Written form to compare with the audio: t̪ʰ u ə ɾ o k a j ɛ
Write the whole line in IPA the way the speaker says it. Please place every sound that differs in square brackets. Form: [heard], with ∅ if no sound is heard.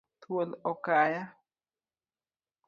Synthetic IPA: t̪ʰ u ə [l] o k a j [a]

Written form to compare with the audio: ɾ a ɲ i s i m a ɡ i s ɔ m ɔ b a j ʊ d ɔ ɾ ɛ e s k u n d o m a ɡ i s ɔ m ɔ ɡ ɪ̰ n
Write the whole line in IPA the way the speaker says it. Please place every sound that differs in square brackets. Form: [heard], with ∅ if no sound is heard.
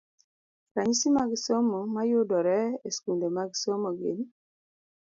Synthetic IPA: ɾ a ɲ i s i m a ɡ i s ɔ m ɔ [m] a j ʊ d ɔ ɾ ɛ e s k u n d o m a ɡ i s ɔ m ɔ ɡ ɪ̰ n

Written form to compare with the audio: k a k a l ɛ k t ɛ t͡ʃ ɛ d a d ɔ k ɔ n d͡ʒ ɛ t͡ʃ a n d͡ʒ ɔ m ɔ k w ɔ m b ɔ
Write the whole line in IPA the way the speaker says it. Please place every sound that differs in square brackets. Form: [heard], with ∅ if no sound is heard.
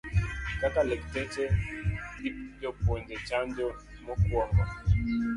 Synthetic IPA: k a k a l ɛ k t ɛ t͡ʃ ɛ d [i] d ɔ [p] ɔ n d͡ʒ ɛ t͡ʃ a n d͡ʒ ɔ m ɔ k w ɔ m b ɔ

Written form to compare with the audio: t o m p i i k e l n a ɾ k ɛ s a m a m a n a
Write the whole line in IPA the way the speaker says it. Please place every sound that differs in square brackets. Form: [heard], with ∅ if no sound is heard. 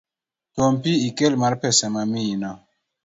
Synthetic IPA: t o m p i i k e l [m] a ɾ [p] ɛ s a m a m [i] n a

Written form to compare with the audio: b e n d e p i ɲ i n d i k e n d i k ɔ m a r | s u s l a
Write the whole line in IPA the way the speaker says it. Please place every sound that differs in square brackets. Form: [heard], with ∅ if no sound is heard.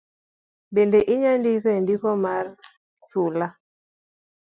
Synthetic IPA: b e n d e [ʔ] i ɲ [a] n d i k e n d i k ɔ m a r | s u [∅] l a

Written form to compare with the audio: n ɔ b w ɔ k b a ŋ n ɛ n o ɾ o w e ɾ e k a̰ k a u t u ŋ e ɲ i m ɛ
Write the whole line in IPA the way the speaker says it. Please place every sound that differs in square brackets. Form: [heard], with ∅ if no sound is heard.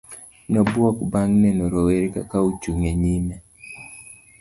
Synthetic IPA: n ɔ b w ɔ k b a ŋ n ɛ n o ɾ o w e ɾ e k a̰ k a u [t͡ʃ] u ŋ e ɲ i m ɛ

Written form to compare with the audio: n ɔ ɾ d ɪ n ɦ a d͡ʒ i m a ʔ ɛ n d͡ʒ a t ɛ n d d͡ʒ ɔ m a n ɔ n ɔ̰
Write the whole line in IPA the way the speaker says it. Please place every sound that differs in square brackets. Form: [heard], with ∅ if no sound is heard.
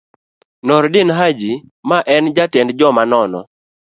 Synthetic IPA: n ɔ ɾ d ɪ n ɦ a d͡ʒ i m a ʔ ɛ n d͡ʒ a t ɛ n d d͡ʒ ɔ m a n ɔ n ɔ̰

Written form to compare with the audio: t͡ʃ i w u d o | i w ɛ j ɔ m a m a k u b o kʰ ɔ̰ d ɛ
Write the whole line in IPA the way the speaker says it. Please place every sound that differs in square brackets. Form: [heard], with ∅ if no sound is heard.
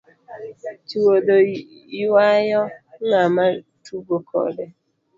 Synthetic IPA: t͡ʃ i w [o] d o | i w [a] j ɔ [ŋ] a m a [t] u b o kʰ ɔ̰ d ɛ

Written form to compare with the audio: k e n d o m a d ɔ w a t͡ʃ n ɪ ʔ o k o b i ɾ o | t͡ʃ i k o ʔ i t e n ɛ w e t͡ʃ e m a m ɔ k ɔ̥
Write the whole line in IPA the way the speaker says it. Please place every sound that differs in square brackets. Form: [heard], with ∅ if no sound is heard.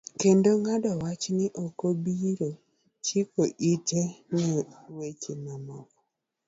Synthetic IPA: k e n d o [ŋ] a d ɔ w a t͡ʃ n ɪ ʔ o k o b i ɾ o | t͡ʃ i k o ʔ i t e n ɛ w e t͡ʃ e m a m ɔ k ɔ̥

